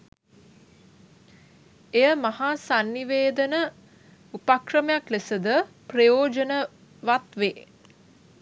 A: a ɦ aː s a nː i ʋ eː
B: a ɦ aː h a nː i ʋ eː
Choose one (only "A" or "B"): A